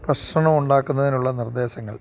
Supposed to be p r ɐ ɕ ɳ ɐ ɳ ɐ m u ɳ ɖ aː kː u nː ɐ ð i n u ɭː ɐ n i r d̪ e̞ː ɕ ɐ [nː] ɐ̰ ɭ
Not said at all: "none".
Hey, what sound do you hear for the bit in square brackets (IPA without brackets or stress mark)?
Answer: ŋː